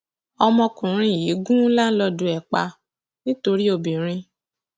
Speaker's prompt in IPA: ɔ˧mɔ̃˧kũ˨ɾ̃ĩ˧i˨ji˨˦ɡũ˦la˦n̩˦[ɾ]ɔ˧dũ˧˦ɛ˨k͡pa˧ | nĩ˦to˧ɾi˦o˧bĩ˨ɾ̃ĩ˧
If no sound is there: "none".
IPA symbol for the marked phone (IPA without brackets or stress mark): l